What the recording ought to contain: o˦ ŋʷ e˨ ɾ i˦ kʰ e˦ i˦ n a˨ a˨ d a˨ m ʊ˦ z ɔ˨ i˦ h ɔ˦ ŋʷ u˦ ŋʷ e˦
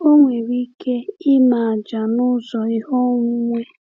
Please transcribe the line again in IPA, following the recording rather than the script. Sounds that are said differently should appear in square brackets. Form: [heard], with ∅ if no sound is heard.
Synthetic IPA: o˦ ŋʷ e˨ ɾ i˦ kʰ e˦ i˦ [m] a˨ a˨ [d͡ʒ] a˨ [n] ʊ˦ z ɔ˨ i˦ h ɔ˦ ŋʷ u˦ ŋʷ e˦